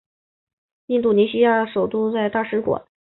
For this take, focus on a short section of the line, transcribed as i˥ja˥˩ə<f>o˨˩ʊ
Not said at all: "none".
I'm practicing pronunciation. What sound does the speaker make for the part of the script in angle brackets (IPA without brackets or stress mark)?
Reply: ʂ